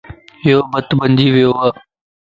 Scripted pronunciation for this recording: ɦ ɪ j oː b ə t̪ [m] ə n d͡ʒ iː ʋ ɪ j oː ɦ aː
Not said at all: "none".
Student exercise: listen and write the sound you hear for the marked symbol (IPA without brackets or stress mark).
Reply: b